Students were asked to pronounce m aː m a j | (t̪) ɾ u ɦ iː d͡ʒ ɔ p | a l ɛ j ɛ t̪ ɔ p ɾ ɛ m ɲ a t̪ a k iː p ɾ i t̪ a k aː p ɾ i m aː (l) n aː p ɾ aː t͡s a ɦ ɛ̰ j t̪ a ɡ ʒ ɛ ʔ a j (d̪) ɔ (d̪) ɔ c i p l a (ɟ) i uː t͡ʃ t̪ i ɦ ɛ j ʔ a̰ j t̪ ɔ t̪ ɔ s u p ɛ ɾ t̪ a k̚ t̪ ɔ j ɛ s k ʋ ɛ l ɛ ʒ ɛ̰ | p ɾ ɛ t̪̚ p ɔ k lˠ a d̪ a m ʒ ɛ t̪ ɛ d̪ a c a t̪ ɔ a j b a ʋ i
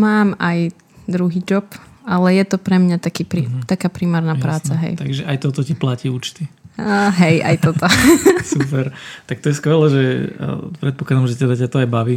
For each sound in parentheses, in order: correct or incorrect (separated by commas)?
incorrect, incorrect, incorrect, incorrect, incorrect